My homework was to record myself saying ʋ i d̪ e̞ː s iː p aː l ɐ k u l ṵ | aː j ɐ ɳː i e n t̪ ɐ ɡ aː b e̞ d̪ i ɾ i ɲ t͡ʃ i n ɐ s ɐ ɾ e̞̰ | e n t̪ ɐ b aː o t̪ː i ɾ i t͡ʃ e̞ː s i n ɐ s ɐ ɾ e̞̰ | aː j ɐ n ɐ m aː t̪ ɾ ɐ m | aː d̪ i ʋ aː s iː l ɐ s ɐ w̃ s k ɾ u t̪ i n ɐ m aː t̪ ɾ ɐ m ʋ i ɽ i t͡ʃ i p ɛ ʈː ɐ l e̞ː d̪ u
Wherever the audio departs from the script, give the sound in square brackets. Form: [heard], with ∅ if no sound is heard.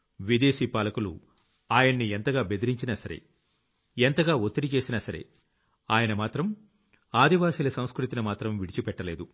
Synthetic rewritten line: ʋ i d̪ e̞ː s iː p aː l ɐ k u l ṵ | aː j ɐ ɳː i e n t̪ ɐ ɡ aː b e̞ d̪ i ɾ i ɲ t͡ʃ i n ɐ s ɐ ɾ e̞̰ | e n t̪ ɐ [ɡ] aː o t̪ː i ɾ i t͡ʃ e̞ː s i n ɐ s ɐ ɾ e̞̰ | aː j ɐ n ɐ m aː t̪ ɾ ɐ m | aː d̪ i ʋ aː s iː l ɐ s ɐ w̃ s k ɾ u t̪ i n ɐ m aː t̪ ɾ ɐ m ʋ i ɽ i t͡ʃ i p ɛ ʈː ɐ l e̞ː d̪ u